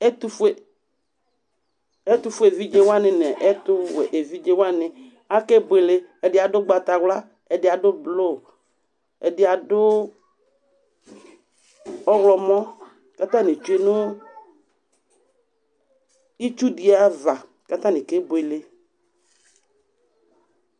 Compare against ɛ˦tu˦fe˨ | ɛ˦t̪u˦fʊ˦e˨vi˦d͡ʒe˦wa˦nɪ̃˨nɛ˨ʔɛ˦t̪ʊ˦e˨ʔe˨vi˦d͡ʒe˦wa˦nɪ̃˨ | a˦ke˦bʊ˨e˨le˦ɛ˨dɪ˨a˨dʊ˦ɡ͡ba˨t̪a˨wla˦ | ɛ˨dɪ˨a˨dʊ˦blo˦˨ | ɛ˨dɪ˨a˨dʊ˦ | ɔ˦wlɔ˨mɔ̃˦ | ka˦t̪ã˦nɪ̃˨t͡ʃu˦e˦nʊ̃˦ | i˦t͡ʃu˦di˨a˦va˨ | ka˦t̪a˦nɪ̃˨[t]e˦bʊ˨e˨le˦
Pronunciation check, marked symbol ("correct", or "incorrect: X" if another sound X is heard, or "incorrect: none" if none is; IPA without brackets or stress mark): incorrect: k